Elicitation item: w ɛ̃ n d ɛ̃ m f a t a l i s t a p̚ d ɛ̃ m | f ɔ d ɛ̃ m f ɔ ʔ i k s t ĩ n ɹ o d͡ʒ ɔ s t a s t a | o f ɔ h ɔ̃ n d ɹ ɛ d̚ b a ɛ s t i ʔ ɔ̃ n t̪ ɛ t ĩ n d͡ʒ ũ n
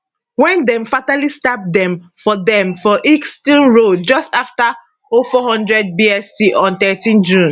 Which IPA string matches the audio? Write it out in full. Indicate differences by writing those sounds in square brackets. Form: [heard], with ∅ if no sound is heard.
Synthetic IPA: w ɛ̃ n d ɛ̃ m f a t a l i s t a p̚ d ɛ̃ m | f ɔ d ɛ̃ m f ɔ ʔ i k s t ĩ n ɹ o d͡ʒ ɔ s t a [f] t a | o f ɔ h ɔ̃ n d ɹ ɛ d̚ b [i] ɛ s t i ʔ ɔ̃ n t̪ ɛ t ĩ n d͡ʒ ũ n